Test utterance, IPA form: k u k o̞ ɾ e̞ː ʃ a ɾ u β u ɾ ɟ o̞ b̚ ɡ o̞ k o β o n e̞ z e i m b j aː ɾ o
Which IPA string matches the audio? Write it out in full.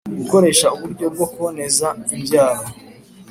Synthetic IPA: ɡ u k o̞ ɾ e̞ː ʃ a u β u ɾ ɟ o̞ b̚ ɡ o̞ k u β o n e̞ z a i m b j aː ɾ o